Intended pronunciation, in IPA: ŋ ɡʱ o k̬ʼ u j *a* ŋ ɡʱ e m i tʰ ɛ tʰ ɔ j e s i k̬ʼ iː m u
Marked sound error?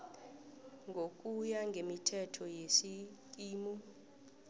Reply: no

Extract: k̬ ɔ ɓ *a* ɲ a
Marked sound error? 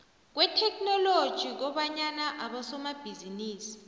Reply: no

